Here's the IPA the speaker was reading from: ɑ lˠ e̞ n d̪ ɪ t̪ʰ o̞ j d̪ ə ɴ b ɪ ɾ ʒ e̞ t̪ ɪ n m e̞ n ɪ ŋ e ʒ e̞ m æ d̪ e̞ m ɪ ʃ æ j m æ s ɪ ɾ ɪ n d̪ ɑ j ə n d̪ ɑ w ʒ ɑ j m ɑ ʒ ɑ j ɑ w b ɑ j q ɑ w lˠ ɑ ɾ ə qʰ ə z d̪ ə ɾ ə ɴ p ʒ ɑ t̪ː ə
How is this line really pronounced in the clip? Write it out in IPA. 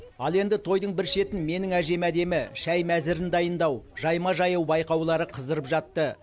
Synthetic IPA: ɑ lˠ e̞ n d̪ ɪ t̪ʰ o̞ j d̪ ə ɴ b ɪ ɾ ʃ e̞ t̪ ɪ n m e̞ n ɪ ŋ æ ʒ e̞ m æ d̪ e̞ m ɪ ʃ æ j m æ z ɪ ɾ ɪ n d̪ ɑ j ə n d̪ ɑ w ʒ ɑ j m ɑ ʒ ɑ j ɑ w b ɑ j q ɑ w lˠ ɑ ɾ ə qʰ ə z d̪ ə ɾ ə p ʒ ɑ t̪ː ə